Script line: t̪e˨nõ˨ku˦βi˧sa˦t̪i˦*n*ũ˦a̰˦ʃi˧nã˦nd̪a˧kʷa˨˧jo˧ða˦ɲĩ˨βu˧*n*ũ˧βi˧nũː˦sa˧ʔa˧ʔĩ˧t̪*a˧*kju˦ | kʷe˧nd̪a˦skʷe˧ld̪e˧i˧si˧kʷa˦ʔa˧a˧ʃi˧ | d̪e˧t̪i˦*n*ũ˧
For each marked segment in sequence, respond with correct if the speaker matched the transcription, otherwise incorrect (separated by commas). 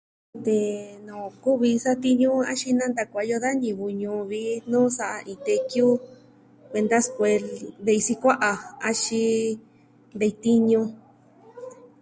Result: incorrect, incorrect, incorrect, incorrect